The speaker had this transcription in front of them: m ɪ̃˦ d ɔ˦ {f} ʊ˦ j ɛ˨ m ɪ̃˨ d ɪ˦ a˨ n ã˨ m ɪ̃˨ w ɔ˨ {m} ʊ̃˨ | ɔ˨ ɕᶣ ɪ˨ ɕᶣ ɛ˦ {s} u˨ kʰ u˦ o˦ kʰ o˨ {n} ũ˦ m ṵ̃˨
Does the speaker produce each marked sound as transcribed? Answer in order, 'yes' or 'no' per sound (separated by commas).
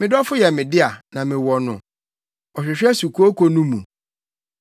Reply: yes, no, yes, yes